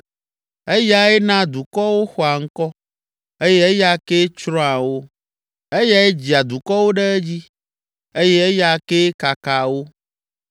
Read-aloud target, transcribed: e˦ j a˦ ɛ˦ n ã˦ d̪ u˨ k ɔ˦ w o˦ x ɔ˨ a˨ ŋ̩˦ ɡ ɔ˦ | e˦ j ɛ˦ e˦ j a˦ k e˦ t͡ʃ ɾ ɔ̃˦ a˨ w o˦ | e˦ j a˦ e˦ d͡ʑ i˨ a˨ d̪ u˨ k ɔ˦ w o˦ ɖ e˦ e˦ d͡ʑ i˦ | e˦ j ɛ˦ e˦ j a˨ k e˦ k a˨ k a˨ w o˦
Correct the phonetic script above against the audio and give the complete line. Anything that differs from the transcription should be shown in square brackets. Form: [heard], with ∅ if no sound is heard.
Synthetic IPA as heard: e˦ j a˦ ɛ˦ n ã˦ d̪ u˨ k ɔ˦ w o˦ x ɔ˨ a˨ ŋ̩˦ [k] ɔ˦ | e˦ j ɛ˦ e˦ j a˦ k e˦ t͡ʃ ɾ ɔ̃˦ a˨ w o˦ | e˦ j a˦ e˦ d͡ʑ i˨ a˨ d̪ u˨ k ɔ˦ w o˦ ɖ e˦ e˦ d͡ʑ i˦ | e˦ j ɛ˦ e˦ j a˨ k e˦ k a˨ k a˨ w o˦